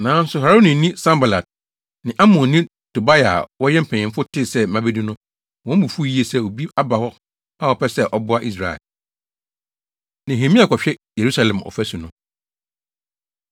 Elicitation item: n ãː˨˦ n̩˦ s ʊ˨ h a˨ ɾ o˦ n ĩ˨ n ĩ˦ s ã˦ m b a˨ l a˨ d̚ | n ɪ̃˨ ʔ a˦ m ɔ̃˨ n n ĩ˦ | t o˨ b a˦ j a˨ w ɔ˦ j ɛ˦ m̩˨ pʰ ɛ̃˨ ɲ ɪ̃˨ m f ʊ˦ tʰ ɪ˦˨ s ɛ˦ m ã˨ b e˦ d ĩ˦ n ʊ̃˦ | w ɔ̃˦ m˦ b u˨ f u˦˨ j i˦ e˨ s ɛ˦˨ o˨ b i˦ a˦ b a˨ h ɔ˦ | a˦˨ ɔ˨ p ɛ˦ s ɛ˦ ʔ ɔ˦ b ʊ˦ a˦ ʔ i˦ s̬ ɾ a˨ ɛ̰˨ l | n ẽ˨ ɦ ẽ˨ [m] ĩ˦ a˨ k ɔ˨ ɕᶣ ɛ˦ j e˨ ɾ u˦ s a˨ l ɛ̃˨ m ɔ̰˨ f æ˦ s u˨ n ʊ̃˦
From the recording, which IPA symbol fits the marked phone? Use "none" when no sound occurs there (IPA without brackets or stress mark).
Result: m